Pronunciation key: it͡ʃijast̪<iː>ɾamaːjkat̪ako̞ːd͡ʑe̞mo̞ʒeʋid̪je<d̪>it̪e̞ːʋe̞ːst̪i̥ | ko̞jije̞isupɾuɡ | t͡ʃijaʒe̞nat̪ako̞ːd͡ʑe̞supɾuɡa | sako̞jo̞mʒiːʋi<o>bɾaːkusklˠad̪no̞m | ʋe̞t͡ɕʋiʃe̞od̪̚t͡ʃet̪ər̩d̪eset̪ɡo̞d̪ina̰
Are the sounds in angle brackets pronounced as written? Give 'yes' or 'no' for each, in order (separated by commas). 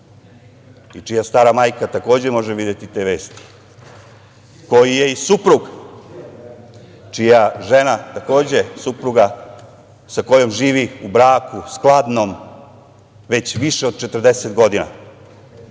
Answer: no, no, no